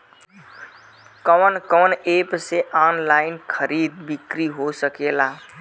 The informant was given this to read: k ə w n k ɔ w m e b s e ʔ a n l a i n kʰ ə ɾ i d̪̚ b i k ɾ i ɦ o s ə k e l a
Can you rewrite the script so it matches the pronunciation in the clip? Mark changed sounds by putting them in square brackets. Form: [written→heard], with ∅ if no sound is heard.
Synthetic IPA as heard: k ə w n k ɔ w [m→n] e [b→p] s e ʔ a n l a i n kʰ ə ɾ i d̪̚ b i k ɾ i ɦ o s ə k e l a

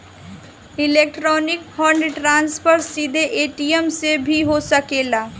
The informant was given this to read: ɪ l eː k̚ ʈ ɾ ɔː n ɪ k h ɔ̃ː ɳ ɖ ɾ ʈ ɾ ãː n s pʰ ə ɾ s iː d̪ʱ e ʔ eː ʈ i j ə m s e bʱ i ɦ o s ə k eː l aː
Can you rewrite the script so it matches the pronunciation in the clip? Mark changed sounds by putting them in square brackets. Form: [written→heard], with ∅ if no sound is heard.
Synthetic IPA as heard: ɪ l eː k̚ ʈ ɾ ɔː n ɪ k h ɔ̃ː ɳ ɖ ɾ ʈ ɾ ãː n s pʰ ə ɾ s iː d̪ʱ e ʔ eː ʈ i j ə m s e bʱ i ɦ o s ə k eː l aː

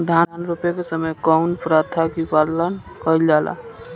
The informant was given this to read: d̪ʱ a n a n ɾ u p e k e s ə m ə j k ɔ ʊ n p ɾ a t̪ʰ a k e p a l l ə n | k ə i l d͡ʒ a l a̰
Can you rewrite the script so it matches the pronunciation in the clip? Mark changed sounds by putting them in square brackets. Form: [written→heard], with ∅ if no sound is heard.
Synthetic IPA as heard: d̪ʱ a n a n ɾ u p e k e s ə m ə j k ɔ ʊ n p ɾ a t̪ʰ a k [e→i] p a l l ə n | k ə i l d͡ʒ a l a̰

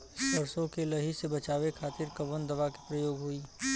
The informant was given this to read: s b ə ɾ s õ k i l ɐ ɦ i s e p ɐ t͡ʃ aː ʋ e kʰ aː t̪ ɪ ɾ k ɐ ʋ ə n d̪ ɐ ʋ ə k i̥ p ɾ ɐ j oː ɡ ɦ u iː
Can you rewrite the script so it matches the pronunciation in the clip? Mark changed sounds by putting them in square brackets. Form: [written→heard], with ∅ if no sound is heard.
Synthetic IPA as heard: s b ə ɾ s õ k [i→e] l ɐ ɦ i s e [p→b] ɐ t͡ʃ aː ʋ e kʰ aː t̪ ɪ ɾ k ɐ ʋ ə n d̪ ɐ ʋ [ə→a] k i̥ p ɾ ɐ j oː ɡ ɦ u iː

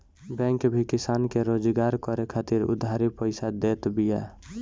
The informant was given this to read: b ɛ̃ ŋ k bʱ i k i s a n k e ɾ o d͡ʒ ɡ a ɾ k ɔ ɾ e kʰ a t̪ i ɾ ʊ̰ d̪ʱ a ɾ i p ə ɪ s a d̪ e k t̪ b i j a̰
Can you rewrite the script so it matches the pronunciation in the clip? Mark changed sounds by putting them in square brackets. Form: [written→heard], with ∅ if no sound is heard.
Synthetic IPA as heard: b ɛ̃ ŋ k bʱ i k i s a n k e ɾ o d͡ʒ ɡ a ɾ k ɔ ɾ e kʰ a t̪ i ɾ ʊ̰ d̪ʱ a ɾ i p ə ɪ s a d̪ e [k→∅] t̪ b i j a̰

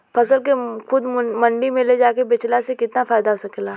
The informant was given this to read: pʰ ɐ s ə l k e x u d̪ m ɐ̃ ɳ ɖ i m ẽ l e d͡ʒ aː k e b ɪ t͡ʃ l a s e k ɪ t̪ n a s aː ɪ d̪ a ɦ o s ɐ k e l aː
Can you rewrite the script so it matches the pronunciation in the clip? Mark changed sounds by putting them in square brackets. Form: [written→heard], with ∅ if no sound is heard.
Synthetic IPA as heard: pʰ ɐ s ə l k e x [u→ʊ] d̪ m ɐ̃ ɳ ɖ i m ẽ l e d͡ʒ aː k e b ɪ t͡ʃ l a s e k ɪ t̪ n a [s→f] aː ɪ d̪ a ɦ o s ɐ k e l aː

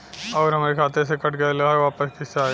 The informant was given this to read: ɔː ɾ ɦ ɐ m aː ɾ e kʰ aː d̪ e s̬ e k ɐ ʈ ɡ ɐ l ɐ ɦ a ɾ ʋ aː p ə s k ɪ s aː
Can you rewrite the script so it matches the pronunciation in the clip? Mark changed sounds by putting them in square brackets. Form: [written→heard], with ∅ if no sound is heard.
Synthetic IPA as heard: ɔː ɾ ɦ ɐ m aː ɾ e kʰ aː [d̪→t̪] e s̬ e k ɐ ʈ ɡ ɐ l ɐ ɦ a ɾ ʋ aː p ə s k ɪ s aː

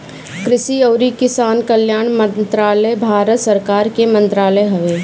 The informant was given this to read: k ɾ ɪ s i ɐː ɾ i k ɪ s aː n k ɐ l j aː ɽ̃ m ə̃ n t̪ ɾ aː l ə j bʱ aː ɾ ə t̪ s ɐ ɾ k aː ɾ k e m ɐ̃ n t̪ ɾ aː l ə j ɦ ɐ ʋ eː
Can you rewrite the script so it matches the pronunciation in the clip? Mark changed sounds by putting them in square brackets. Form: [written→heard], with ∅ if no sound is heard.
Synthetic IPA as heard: k ɾ ɪ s i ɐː ɾ i k ɪ s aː n k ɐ l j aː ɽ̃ m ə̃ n t̪ ɾ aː l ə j bʱ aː ɾ ə t̪ s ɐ ɾ k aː ɾ k e m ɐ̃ n t̪ ɾ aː l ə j ɦ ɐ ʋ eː

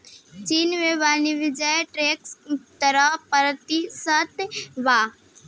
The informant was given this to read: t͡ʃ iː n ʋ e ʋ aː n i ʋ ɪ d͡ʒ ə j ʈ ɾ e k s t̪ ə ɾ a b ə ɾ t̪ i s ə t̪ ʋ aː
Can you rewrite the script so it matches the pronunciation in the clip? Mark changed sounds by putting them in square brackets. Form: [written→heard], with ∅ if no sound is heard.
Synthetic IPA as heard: t͡ʃ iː n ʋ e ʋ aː n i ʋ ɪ d͡ʒ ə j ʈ ɾ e k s t̪ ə ɾ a [b→p] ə ɾ t̪ i s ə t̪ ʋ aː

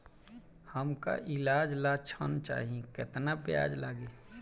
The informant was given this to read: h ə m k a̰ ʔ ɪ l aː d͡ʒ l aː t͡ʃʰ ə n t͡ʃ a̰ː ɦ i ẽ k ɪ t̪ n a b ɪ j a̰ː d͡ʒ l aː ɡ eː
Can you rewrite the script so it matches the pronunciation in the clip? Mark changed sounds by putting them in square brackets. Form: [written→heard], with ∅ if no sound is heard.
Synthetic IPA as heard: h ə m k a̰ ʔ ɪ l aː d͡ʒ l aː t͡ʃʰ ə n t͡ʃ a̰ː ɦ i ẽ k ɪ t̪ n a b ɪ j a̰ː d͡ʒ l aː ɡ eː

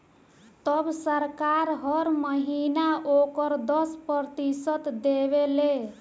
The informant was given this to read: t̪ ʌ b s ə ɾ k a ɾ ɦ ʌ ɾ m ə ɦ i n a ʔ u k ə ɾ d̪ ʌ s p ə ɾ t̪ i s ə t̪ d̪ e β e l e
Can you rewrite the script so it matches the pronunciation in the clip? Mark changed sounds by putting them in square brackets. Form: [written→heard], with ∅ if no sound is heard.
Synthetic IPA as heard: t̪ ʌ b s ə ɾ k a ɾ ɦ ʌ ɾ m ə ɦ i n a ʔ [u→o] k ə ɾ d̪ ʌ s p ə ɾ t̪ i s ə t̪ d̪ e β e l e

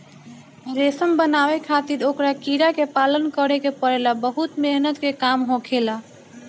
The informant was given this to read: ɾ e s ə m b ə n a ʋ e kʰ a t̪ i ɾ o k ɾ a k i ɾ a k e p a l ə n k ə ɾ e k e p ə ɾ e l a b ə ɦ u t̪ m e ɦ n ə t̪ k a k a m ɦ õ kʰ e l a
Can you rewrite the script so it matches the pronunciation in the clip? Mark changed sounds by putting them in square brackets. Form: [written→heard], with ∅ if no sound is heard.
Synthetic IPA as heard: ɾ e s ə m b ə n a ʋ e kʰ a t̪ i ɾ o k ɾ a k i ɾ a k e p a l ə n k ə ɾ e k e p ə ɾ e l a b ə ɦ u t̪ m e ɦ n ə t̪ k [a→e] k a m ɦ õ kʰ e l a

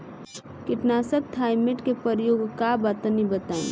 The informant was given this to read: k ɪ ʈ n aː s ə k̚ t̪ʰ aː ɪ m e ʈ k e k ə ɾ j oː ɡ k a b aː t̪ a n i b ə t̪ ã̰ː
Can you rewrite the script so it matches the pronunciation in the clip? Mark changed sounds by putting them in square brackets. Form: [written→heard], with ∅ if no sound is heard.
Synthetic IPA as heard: k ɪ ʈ n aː s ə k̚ t̪ʰ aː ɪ m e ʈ k e [k→p] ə ɾ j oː ɡ k a b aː t̪ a n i b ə t̪ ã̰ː

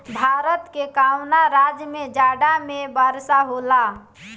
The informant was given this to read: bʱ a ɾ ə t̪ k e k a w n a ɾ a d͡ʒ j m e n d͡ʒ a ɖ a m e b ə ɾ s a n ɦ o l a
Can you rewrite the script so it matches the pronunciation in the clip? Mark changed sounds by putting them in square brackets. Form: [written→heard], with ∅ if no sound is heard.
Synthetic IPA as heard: bʱ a ɾ ə t̪ k e k a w n a ɾ a d͡ʒ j m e [n→∅] d͡ʒ a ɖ a m e b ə ɾ s a [n→∅] ɦ o l a

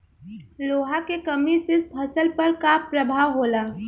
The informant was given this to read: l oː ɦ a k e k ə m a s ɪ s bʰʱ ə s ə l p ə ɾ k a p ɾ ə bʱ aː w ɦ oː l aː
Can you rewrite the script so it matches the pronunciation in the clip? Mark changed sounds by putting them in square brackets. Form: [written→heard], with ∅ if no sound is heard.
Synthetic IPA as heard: l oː ɦ a k e k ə m [a→i] s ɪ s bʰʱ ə s ə l p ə ɾ k a p ɾ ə bʱ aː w ɦ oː l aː

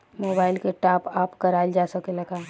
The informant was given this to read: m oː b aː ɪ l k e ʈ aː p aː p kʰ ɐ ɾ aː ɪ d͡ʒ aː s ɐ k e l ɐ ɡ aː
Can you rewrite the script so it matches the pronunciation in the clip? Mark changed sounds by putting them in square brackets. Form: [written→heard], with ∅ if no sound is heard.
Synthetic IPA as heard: m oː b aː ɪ l k e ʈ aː p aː p [kʰ→k] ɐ ɾ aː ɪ d͡ʒ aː s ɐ k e l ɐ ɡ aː

